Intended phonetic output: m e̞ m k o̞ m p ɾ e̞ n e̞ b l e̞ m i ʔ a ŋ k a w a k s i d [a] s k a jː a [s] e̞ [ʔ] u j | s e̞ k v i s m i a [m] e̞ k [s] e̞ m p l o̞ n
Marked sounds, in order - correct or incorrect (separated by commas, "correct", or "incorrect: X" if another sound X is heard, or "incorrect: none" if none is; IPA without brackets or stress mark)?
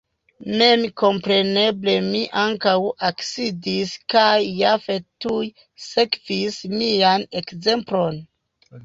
incorrect: i, incorrect: f, incorrect: t, incorrect: n, incorrect: z